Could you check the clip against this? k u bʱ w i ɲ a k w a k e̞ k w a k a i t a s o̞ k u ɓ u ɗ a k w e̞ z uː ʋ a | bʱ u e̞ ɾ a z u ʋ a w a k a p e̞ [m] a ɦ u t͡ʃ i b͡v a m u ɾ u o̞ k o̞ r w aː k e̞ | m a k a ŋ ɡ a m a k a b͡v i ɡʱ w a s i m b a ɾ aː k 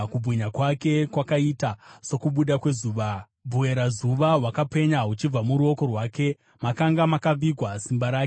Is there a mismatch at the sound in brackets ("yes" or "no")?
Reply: yes